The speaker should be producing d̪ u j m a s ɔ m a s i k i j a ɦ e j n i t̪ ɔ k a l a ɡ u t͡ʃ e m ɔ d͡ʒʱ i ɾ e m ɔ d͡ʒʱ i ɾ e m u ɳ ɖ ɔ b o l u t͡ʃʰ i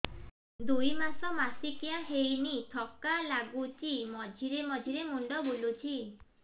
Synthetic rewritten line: d̪ u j m a s ɔ m a s i k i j a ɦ e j n i t̪ʰ ɔ k a l a ɡ u t͡ʃ i m ɔ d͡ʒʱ i ɾ e m ɔ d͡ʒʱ i ɾ e m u ɳ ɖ ɔ b o l u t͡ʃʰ i